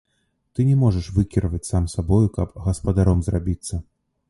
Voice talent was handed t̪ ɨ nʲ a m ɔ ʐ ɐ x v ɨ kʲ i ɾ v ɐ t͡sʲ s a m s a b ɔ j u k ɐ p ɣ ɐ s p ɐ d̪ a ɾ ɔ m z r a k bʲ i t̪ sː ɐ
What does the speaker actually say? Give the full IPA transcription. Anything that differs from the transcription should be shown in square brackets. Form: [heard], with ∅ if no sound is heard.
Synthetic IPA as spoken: t̪ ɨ nʲ [ɛ] m ɔ ʐ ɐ [ʂ] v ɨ kʲ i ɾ v ɐ t͡sʲ s a m s a b ɔ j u k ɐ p ɣ ɐ s p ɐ d̪ a ɾ ɔ m z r a [∅] bʲ i t̪ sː ɐ